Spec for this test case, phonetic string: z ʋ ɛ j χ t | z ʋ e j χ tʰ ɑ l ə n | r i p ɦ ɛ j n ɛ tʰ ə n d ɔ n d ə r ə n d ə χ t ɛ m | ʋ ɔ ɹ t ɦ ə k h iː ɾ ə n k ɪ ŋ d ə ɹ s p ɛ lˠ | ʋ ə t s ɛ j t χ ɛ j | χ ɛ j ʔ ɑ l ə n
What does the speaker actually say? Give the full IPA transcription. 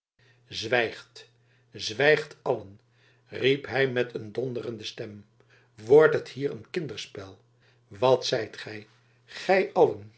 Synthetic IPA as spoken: z ʋ ɛ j χ t | z ʋ ɛ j χ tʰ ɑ l ə n | r i p ɦ ɛ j m ɛ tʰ ə n d ɔ n d ə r ə n d ə s t ɛ m | ʋ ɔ ɹ t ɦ ə t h iː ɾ ə n k ɪ n d ə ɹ s p ɛ lˠ | ʋ ɑ t s ɛ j t χ ɛ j | χ ɛ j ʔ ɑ l ə n